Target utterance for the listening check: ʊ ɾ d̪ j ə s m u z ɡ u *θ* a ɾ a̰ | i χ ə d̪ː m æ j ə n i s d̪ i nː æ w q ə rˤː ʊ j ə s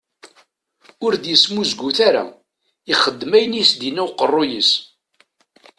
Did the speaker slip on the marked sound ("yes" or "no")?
no